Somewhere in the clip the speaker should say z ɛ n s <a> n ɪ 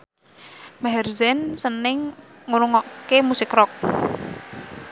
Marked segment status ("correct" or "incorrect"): incorrect